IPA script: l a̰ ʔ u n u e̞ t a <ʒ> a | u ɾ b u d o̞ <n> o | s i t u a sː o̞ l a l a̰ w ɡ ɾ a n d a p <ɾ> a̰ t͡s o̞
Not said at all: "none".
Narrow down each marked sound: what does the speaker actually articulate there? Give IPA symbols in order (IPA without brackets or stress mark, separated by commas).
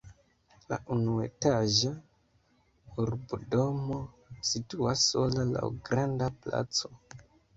ʒ, m, l